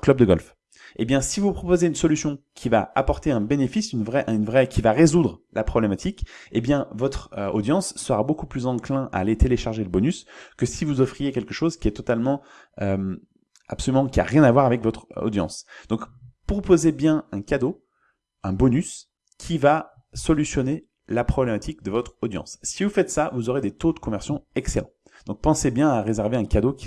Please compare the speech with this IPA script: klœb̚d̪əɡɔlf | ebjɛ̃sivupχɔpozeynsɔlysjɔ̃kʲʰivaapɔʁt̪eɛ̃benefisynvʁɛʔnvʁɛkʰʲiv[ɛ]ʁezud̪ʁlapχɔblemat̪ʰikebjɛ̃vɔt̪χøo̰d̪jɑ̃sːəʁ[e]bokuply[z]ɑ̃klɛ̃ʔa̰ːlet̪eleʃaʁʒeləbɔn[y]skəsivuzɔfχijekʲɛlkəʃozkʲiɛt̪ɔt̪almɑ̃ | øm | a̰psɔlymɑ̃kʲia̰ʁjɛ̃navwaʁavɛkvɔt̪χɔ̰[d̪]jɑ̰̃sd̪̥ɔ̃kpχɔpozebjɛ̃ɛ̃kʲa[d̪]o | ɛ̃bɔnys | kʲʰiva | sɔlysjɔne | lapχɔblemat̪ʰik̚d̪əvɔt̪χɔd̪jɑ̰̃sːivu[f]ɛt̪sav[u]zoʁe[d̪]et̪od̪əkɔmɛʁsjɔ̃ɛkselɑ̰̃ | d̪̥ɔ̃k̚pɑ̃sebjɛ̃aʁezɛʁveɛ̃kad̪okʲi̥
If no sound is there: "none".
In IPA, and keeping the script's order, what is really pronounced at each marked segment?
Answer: a, a, z, y, d̪, d̪, f, u, d̪

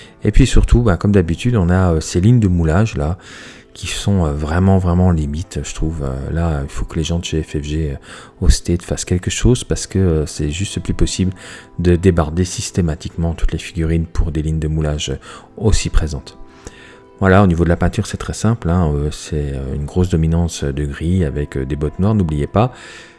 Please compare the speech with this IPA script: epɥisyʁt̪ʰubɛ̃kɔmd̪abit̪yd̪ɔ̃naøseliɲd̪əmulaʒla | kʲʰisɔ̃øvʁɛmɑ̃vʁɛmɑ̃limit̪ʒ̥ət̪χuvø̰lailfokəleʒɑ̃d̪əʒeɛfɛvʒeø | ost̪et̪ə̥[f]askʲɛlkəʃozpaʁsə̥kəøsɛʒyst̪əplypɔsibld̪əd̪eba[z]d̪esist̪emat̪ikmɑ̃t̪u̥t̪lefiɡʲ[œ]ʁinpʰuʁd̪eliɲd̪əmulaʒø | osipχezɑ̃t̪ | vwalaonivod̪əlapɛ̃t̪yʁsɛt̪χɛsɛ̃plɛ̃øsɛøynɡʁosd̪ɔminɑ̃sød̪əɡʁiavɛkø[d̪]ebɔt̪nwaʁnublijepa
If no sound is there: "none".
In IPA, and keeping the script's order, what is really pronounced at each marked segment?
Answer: f, ʁ, y, d̪

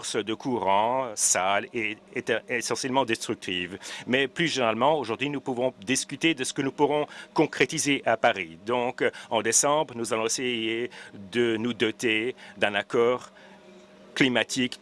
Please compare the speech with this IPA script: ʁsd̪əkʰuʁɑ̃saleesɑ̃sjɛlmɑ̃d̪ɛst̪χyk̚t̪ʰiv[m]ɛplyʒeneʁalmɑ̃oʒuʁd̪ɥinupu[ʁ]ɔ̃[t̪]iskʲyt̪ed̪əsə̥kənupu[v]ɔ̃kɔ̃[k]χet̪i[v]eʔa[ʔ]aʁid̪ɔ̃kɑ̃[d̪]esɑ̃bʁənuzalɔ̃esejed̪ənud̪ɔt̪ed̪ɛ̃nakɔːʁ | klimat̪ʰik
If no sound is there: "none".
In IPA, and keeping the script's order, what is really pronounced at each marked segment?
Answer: m, v, d̪, ʁ, k, z, p, d̪

